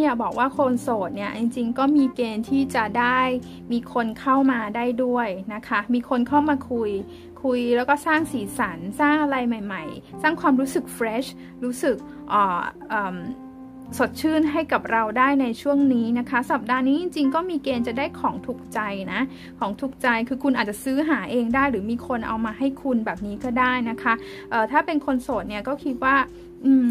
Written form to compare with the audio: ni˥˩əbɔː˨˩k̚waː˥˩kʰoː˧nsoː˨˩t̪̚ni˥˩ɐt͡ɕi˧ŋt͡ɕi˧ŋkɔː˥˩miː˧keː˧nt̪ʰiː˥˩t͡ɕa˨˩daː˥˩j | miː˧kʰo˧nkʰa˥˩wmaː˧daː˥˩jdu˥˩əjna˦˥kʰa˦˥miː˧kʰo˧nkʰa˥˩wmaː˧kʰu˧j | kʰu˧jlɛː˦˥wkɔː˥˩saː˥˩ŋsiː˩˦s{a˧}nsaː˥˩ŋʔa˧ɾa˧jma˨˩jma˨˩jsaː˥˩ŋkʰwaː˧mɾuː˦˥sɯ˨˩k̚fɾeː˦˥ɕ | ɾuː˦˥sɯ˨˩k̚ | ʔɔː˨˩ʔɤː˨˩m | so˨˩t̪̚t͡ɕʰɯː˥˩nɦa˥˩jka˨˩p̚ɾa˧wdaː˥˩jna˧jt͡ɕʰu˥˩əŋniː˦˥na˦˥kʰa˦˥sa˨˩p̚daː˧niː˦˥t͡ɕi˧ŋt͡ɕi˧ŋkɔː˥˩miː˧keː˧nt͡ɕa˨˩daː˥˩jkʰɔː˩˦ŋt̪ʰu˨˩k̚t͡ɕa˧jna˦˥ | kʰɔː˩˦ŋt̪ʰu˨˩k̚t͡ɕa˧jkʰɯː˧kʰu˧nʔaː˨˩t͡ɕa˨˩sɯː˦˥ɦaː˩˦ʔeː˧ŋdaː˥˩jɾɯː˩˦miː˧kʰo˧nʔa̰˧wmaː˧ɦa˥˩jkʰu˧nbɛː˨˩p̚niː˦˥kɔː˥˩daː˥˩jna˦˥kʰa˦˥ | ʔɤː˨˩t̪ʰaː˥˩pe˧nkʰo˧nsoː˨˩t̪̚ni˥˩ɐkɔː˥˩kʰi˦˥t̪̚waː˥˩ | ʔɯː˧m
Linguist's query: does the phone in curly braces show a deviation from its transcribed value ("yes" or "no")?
yes